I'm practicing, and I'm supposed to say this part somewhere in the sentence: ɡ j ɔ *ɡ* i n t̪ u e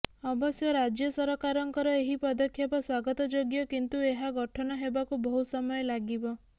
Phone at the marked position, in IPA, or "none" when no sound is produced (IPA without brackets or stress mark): k